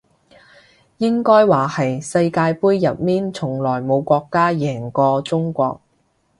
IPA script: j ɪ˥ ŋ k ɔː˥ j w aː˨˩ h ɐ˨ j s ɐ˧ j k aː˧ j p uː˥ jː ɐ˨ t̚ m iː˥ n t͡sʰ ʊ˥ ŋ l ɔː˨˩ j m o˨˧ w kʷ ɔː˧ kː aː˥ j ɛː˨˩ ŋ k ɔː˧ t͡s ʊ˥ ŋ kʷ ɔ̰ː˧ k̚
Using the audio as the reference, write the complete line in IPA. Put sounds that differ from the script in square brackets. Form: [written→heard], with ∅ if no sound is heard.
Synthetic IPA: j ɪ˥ ŋ k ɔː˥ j w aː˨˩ h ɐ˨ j s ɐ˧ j k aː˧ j p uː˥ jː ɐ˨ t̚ m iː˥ n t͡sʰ [ʊ˥→ʊ˨˩] ŋ l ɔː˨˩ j m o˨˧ w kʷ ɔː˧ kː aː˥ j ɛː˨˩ ŋ k ɔː˧ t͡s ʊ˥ ŋ kʷ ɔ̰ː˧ k̚